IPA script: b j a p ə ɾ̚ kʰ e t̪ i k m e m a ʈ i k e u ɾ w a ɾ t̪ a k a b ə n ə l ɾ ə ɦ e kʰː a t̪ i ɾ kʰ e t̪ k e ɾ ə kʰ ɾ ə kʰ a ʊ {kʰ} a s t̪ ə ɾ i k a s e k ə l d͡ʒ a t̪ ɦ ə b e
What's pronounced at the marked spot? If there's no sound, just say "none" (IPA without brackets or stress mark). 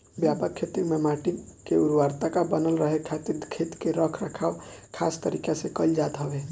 kʰ